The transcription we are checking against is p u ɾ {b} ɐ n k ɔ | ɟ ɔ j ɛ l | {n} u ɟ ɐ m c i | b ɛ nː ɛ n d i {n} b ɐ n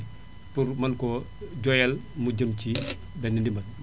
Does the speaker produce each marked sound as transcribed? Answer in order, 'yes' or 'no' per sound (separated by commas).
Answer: no, no, no